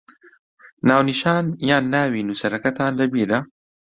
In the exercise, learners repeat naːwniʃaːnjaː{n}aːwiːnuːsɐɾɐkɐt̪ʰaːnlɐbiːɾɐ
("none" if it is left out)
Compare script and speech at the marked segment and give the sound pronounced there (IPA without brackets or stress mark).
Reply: nː